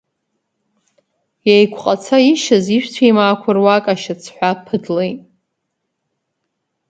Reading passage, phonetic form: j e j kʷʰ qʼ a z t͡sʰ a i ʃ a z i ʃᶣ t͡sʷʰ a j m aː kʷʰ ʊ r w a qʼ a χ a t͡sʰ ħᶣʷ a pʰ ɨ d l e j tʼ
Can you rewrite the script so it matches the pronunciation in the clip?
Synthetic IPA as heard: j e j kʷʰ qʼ a t͡sʰ a i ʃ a z i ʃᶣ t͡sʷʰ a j m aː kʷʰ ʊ r w a kʼ a ʃ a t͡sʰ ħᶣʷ a pʰ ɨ d l e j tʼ